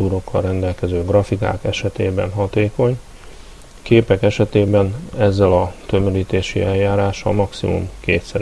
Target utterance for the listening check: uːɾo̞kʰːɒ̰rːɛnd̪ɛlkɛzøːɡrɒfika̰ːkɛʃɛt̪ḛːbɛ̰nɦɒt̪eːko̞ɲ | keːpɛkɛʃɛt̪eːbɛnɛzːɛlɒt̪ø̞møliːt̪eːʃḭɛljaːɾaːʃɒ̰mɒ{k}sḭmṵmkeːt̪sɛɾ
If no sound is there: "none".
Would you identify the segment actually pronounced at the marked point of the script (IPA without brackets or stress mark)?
k